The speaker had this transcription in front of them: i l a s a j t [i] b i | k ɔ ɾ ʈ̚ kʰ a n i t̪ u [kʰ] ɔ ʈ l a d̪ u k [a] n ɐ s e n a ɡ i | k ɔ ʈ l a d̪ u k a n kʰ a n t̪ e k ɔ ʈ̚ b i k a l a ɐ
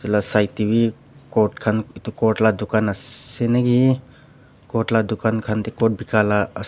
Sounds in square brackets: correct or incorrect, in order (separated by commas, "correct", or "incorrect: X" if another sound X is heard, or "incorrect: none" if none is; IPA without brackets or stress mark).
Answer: correct, incorrect: k, correct